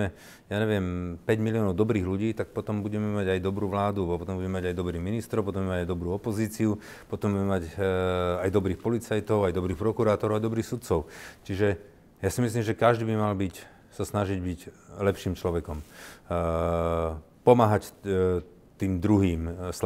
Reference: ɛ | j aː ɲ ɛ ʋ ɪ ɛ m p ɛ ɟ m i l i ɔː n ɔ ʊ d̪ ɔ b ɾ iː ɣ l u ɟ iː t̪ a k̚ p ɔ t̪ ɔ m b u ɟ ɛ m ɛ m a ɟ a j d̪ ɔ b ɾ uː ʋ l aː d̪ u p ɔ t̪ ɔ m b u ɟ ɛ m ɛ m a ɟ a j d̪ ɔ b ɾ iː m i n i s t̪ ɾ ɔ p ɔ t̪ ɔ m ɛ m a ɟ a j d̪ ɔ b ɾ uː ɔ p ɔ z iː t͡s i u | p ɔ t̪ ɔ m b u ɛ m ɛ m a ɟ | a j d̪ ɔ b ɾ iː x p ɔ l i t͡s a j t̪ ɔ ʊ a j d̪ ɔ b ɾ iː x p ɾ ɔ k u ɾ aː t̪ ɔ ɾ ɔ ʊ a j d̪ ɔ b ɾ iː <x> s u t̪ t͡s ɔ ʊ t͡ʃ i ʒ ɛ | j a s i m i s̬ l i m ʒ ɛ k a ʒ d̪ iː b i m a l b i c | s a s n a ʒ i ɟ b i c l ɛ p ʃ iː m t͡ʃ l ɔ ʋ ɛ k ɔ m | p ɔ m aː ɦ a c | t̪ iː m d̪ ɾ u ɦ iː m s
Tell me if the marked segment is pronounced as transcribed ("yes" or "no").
yes